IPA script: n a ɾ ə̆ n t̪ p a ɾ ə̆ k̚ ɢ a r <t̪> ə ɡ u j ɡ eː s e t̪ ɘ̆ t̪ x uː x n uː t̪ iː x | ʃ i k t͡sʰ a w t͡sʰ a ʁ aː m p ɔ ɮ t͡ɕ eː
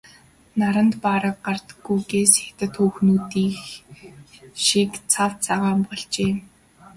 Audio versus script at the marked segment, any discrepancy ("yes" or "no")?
no